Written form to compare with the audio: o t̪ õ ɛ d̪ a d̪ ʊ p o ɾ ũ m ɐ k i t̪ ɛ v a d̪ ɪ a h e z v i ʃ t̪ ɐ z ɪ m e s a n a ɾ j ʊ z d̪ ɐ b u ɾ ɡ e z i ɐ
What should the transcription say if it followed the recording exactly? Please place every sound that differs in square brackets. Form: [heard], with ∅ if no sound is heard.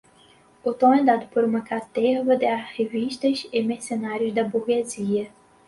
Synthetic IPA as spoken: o t̪ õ ɛ d̪ a d̪ ʊ p o ɾ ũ m ɐ k [a] t̪ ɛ v [ɐ] d̪ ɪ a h e [∅] v i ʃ t̪ ɐ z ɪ m e s [e] n a ɾ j ʊ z d̪ ɐ b u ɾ ɡ e z i ɐ